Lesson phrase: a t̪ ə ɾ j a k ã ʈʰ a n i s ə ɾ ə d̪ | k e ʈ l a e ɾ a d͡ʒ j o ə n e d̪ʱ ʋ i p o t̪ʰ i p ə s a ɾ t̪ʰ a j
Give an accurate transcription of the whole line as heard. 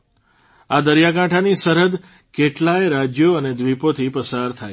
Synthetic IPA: a d̪ ə ɾ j a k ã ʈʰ a n i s ə ɾ ə d̪ | k e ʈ l a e ɾ a d͡ʒ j o ə n e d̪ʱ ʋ i p o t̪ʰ i p ə s a ɾ t̪ʰ a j